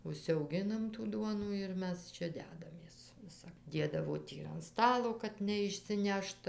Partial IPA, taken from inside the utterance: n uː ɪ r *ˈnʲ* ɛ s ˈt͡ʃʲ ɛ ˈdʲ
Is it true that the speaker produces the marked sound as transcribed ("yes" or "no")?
no